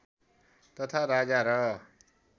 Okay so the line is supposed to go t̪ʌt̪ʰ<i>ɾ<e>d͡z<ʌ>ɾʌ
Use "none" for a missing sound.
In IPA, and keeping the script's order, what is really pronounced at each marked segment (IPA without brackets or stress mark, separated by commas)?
a, a, a